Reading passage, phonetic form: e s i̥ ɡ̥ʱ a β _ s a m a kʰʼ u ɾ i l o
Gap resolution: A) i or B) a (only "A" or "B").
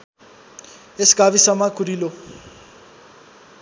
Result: A